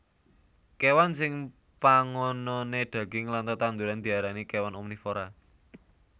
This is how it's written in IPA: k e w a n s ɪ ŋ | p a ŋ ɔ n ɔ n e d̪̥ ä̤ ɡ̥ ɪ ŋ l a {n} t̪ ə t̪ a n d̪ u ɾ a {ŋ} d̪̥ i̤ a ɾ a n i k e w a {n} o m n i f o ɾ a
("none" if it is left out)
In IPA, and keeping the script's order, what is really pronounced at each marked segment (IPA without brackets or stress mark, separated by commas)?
n, n, n